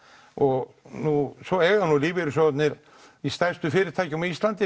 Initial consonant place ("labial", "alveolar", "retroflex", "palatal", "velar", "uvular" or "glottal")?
velar